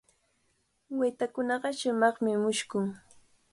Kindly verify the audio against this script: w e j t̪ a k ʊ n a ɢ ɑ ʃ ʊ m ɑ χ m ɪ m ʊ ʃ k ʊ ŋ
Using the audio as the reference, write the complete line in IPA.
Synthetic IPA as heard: w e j t̪ a k ʊ n ɑ ɢ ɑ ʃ ʊ m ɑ χ m ɪ m ʊ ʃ k ʊ ŋ